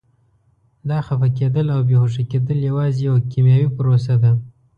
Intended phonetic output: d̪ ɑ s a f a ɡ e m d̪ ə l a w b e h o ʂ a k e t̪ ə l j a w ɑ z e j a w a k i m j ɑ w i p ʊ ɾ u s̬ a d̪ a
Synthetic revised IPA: d̪ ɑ x a f a k e d̪ ə l a w b e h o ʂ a k e d̪ ə l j a w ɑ z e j a w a k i m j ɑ w i p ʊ ɾ o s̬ a d̪ a